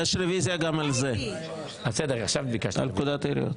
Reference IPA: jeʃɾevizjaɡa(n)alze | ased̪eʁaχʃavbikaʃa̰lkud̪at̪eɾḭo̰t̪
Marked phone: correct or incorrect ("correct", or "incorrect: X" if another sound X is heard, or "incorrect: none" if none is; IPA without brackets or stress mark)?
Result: incorrect: m